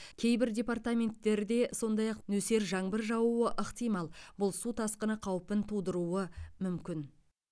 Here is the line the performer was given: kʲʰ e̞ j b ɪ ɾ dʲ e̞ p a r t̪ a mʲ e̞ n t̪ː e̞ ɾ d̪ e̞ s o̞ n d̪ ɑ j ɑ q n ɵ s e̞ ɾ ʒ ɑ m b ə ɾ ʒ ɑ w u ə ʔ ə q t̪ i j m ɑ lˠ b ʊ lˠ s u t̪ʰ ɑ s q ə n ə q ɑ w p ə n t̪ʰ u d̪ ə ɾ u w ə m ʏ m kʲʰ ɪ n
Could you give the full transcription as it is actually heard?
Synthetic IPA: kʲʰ e̞ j b ɪ ɾ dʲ e̞ p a r t̪ a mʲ e̞ n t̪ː e̞ ɾ d̪ e̞ s o̞ n d̪ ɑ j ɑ q n ɵ s e̞ ɾ ʒ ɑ ɴ b ə ɾ ʒ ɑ w u ə ʔ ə q t̪ i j m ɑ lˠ b ʊ lˠ s u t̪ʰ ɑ s q ə n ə qʰ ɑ w p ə n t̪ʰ u d̪ ə ɾ u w ə m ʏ m kʲ ɪ n